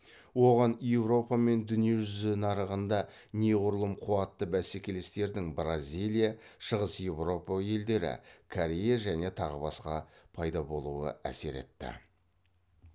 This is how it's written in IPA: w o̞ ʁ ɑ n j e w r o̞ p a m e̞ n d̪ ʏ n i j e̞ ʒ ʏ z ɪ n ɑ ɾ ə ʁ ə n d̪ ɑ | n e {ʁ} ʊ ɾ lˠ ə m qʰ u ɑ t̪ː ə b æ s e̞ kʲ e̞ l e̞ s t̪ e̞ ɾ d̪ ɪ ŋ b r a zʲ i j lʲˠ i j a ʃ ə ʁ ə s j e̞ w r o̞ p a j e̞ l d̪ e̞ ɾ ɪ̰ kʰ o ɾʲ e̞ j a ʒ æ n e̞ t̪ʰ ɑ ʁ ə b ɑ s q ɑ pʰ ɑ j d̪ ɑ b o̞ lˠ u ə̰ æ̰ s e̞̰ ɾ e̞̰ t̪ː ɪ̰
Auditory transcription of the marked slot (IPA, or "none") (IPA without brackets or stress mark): ʁ